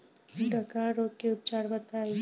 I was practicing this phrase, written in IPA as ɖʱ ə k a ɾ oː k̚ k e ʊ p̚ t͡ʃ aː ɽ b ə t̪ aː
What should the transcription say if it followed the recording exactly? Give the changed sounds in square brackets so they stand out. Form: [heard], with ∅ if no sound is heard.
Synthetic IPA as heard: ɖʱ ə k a ɾ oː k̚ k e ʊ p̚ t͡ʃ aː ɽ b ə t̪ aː